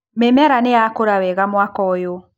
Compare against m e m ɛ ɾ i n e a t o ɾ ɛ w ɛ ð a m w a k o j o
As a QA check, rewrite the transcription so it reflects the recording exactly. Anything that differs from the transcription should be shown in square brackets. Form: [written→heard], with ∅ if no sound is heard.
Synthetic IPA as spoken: m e m ɛ ɾ [i→a] n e a [t→k] o ɾ [ɛ→a] w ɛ [ð→ɣ] a m w a k [o→ɔ] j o